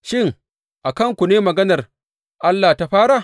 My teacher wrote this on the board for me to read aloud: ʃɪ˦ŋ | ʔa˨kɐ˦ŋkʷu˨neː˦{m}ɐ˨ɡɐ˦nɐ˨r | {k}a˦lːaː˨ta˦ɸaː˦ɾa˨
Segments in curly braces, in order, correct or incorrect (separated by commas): correct, incorrect